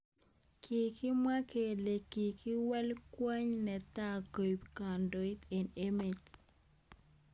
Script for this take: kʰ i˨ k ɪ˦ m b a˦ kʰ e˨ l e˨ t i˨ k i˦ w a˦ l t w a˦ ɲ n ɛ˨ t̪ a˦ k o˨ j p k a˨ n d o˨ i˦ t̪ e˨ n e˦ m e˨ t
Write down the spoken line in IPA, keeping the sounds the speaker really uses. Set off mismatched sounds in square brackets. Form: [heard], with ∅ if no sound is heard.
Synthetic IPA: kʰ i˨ k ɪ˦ m [w] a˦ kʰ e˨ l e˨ [k] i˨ k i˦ w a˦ l [k] w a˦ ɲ n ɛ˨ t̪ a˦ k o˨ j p k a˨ n d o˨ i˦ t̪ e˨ n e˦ m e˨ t